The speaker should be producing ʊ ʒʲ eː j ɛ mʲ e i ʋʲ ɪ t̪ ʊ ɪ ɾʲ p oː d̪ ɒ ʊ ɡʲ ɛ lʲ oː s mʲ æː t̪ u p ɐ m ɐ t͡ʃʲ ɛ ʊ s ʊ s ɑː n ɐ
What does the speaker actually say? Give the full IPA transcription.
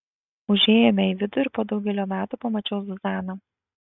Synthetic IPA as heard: ʊ ʒʲ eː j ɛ mʲ ɛ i ʋʲ ɪ d̪ ʊ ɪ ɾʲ p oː d̪ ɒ ʊ ɡʲ ɛ lʲ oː mʲ æː t̪ u p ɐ m ɐ t͡ʃʲ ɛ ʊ s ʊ z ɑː n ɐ